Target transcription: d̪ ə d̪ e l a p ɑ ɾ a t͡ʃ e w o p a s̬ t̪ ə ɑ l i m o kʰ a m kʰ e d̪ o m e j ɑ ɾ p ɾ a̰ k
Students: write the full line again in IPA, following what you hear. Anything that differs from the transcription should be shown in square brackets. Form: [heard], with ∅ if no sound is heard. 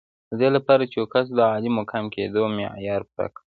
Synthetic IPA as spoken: d̪ ə d̪ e l a p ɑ ɾ a t͡ʃ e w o [k] a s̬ [d̪] ə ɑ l i m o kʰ a m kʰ e d̪ o m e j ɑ ɾ p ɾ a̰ k